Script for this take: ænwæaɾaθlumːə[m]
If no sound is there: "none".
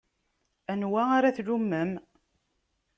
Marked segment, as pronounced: m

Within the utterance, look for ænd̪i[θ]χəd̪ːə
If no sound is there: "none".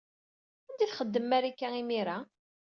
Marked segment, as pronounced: θ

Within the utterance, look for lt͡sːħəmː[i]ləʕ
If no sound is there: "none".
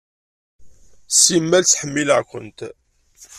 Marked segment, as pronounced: i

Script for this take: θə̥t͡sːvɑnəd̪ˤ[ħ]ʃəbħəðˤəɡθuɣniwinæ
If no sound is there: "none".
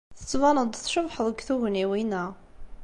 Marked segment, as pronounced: θ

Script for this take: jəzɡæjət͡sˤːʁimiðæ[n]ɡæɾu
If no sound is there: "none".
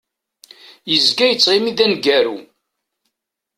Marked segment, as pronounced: n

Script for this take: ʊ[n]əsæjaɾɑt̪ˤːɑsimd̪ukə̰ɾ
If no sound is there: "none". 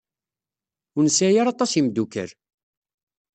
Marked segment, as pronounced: n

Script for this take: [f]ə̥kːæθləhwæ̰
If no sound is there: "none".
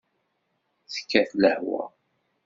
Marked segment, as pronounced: θ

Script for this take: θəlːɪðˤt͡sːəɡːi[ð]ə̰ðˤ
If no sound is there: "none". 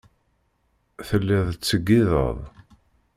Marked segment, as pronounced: ð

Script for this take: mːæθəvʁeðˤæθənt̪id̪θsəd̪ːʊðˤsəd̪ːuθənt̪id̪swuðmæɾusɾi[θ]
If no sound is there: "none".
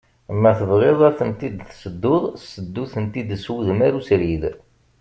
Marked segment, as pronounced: ð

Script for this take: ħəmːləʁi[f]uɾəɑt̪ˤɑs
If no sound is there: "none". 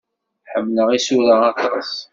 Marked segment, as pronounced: s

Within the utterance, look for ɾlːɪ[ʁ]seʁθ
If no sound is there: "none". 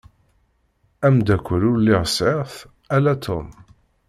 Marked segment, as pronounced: ʁ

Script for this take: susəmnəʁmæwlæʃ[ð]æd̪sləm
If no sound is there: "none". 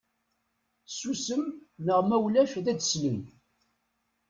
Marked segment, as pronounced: ð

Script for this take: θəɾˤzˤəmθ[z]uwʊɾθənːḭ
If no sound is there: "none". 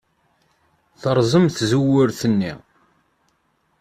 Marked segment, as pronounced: z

